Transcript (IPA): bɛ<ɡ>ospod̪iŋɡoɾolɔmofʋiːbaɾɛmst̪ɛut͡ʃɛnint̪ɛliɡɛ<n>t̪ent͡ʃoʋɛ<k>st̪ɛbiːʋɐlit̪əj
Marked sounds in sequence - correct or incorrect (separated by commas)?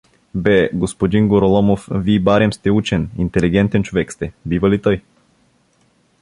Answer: correct, correct, correct